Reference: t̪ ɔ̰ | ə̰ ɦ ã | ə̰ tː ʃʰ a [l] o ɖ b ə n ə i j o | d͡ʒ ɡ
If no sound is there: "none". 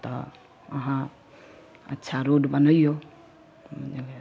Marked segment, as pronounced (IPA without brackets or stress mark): ɾ